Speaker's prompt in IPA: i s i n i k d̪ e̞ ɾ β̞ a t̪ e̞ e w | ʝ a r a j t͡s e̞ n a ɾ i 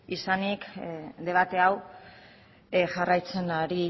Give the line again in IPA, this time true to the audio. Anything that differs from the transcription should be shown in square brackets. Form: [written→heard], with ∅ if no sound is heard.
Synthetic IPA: i s [i→a] n i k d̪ e̞ [ɾ→∅] β̞ a t̪ e̞ [e→a] w | ʝ a r a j t͡s e̞ n a ɾ i